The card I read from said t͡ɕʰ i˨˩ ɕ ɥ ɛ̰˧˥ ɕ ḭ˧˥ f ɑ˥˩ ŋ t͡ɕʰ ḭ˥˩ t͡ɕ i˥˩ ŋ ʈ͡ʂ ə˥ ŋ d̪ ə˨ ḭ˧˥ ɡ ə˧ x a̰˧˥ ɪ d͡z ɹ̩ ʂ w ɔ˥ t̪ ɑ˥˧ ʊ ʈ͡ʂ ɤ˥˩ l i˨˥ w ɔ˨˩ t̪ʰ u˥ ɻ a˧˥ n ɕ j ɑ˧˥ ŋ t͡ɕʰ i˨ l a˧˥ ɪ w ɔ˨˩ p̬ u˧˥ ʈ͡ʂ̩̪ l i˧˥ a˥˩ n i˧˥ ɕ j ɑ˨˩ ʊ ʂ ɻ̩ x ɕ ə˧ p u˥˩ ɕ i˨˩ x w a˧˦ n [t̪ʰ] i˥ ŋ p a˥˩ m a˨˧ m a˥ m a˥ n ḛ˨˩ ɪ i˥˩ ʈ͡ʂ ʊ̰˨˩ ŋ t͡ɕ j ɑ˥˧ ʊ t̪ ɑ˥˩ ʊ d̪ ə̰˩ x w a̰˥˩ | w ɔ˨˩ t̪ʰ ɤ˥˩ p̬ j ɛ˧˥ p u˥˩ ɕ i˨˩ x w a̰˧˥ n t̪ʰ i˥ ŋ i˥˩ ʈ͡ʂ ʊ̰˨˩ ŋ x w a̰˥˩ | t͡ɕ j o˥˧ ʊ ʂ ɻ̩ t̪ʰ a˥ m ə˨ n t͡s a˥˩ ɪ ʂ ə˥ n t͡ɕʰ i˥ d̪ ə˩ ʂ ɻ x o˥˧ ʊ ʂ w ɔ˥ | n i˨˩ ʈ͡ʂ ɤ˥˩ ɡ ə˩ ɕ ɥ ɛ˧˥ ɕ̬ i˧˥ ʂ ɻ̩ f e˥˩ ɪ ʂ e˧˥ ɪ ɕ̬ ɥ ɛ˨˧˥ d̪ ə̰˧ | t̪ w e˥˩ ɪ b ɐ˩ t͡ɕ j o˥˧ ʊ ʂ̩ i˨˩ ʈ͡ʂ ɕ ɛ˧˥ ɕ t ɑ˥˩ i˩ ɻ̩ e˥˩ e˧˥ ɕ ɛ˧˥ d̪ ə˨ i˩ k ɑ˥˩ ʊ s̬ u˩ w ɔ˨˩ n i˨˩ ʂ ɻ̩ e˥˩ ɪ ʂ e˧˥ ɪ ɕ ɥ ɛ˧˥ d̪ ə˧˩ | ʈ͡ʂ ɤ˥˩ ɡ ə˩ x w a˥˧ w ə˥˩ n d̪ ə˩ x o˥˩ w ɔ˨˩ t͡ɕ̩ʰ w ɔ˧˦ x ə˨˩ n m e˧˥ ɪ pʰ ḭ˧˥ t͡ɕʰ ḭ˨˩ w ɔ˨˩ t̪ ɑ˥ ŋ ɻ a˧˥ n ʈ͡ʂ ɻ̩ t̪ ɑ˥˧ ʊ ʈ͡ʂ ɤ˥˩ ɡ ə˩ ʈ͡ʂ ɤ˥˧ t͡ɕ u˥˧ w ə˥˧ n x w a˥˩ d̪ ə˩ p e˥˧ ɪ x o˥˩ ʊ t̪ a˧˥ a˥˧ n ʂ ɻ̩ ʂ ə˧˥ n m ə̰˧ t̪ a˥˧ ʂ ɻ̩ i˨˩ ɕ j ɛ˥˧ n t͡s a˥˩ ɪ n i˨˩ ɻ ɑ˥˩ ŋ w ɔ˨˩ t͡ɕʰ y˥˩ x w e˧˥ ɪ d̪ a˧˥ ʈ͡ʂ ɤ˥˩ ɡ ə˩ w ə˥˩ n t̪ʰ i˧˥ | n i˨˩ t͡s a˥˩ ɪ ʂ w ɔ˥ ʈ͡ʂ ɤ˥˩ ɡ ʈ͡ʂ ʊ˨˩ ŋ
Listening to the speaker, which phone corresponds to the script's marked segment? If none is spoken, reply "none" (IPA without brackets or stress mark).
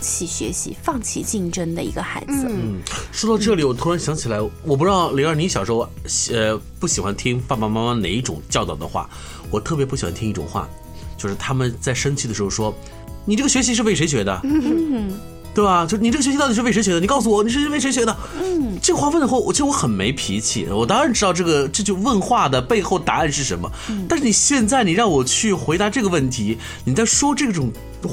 t̪ʰ